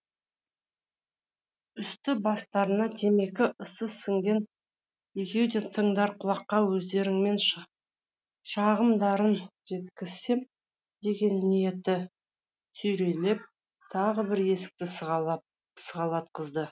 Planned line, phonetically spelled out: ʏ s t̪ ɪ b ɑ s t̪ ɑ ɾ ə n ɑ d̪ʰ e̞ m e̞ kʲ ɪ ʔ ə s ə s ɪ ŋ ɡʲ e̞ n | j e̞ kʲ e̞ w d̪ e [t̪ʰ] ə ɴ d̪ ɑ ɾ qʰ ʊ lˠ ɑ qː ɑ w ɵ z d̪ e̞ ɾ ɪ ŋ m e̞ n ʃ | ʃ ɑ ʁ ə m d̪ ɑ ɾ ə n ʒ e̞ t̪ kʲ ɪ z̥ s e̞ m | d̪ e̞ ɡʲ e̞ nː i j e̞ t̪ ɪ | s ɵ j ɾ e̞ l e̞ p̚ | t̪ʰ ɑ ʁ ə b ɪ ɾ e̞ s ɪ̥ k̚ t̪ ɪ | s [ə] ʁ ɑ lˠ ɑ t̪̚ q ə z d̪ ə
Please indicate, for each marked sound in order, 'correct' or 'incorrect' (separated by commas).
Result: correct, correct